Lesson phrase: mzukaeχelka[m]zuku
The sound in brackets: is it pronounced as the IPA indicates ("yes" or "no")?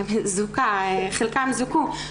yes